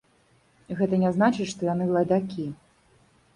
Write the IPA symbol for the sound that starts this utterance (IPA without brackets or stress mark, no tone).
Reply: ɣ